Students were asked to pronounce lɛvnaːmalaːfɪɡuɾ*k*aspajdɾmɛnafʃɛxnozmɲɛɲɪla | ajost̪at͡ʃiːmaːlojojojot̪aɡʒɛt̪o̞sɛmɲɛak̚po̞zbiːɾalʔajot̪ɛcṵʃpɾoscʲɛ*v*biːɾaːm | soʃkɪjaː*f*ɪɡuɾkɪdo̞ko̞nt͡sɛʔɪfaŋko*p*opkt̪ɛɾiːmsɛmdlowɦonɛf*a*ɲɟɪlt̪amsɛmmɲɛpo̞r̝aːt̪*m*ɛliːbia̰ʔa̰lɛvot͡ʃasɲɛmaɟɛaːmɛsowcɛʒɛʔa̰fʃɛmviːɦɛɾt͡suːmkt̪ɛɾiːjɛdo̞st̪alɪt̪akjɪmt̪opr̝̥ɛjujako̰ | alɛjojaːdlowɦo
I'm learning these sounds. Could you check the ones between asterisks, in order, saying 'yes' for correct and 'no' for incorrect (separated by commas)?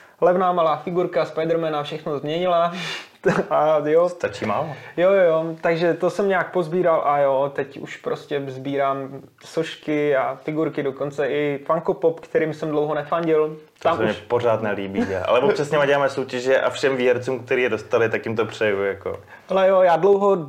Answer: yes, no, yes, yes, yes, no